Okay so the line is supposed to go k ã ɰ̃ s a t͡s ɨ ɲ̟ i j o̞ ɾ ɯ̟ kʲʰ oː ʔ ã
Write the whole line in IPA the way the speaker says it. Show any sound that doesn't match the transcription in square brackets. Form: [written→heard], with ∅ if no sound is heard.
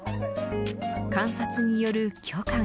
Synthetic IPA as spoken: k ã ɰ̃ s a t͡s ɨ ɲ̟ i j o̞ ɾ ɯ̟ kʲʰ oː [ʔ→k] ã